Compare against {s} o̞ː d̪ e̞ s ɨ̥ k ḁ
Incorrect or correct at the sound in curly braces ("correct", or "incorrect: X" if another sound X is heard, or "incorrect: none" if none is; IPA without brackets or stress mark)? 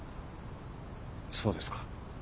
correct